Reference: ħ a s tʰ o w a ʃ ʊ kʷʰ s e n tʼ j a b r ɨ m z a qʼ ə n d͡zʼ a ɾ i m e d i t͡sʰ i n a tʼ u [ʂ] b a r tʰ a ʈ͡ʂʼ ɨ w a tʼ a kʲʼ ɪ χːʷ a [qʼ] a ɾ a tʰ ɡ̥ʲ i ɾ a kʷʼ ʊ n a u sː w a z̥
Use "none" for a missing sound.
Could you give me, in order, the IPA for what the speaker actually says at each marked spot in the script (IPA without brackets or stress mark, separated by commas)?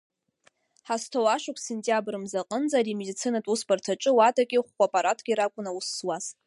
s, pʼ